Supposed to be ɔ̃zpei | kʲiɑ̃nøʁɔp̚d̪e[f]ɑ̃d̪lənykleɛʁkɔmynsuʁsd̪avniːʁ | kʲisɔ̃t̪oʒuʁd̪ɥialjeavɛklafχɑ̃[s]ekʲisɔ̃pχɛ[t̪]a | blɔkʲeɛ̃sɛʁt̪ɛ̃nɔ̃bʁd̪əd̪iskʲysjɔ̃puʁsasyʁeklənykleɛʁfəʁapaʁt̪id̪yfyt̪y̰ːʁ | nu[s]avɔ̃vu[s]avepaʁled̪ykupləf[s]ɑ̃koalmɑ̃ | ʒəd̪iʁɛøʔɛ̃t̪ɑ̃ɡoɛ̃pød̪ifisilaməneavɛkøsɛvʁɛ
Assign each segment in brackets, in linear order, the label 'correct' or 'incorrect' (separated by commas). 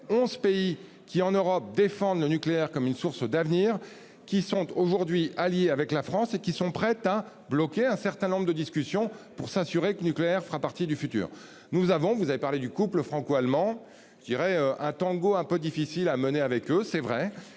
correct, correct, correct, incorrect, incorrect, incorrect